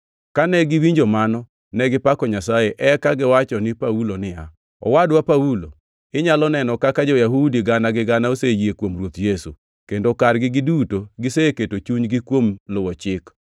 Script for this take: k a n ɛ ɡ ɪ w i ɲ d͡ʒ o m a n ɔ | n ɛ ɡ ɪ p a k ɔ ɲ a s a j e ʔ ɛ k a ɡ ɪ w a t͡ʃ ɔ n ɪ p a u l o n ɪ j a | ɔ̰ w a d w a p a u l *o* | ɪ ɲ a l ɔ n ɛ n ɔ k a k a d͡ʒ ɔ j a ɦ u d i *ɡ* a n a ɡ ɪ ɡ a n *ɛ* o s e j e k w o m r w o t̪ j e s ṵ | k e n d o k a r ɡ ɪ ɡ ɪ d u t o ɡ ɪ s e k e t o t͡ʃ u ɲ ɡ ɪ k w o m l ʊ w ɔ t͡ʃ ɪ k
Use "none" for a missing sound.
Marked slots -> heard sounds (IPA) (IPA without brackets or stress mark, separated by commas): o, ɡ, a